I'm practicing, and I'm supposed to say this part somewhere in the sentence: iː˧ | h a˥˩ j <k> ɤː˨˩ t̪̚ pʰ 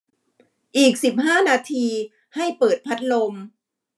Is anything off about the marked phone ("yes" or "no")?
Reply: yes